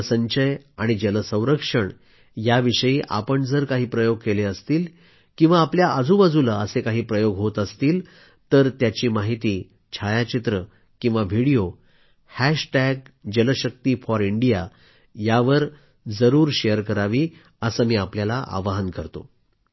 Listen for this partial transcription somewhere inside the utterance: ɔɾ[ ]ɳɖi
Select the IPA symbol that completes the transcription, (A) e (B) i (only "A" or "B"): B